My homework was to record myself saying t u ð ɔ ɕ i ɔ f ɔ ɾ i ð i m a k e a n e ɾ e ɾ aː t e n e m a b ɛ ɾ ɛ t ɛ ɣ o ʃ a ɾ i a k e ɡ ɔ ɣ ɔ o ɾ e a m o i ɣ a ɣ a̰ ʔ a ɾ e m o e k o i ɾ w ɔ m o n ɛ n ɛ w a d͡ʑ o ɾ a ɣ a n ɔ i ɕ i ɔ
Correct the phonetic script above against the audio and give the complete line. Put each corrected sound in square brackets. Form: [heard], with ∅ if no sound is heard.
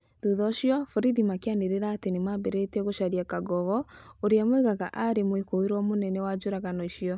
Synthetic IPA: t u ð ɔ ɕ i ɔ f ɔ ɾ i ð i m a k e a n e ɾ e ɾ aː t e n e m a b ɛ ɾ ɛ t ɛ ɣ o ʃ a ɾ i a k [a] ɡ ɔ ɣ ɔ o ɾ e a m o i ɣ a ɣ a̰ ʔ a ɾ e m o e k o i ɾ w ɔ m o n ɛ n ɛ w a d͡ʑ o ɾ a ɣ a n ɔ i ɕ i ɔ